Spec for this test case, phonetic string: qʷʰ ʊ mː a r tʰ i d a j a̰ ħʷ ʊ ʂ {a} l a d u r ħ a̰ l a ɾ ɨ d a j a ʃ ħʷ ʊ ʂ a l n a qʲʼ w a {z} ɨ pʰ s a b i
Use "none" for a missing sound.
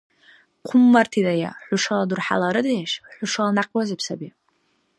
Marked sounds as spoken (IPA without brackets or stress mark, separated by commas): a, z